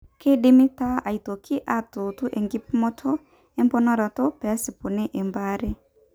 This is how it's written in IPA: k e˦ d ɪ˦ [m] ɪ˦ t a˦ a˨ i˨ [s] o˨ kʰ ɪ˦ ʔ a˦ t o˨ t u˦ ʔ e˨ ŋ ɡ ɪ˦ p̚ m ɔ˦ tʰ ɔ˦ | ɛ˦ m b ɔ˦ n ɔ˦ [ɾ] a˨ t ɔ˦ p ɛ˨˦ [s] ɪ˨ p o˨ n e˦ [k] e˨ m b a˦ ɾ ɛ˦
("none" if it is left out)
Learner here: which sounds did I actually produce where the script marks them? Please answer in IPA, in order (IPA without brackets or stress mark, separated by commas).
m, t, ɾ, s, ʔ